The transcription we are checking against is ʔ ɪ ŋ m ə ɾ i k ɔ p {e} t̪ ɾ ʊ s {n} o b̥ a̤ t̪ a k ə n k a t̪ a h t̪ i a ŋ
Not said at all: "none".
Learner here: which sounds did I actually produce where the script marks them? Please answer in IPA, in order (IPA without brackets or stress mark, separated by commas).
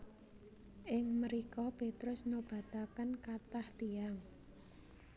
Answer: e, n